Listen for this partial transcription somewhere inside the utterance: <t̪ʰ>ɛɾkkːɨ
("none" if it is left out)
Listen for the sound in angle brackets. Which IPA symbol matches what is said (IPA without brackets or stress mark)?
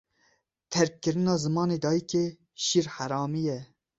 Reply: t̪ʰ